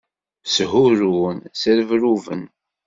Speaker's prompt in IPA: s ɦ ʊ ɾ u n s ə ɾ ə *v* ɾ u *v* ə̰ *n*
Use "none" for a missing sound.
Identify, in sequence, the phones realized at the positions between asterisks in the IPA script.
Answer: v, v, n

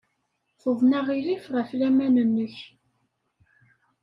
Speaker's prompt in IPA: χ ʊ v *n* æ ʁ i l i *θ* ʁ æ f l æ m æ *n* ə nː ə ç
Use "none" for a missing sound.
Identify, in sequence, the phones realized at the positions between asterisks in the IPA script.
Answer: n, f, n

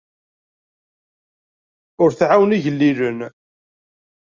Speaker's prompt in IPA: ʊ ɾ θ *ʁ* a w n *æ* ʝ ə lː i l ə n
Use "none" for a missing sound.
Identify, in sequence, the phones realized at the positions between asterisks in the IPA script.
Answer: ʕ, i

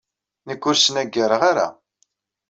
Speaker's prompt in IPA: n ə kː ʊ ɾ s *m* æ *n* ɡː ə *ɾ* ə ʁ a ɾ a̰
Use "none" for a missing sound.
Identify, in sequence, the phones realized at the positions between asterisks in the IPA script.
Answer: n, none, ɾ

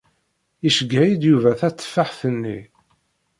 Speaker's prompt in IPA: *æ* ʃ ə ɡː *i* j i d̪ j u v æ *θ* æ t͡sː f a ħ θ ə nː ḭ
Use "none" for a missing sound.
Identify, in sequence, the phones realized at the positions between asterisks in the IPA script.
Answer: i, æ, θ

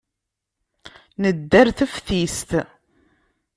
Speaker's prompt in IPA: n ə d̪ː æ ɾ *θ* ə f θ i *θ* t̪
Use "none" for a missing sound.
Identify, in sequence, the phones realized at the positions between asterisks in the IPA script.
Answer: θ, s

